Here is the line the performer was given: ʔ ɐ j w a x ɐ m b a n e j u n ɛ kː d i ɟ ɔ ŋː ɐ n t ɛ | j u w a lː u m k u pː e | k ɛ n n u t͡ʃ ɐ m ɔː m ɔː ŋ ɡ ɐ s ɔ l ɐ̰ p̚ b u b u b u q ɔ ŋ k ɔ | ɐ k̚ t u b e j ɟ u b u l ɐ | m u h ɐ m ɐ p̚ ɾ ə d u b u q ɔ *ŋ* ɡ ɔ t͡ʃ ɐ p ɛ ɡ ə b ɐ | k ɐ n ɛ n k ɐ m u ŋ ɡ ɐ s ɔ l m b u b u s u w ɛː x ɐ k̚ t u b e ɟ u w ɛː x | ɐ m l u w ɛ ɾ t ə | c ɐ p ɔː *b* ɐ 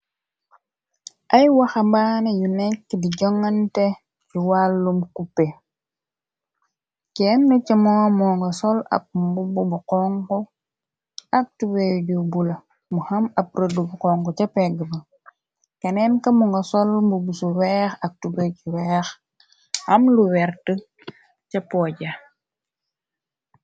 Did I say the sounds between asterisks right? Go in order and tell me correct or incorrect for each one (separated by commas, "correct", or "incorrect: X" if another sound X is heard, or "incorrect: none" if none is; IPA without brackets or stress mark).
correct, incorrect: ɟ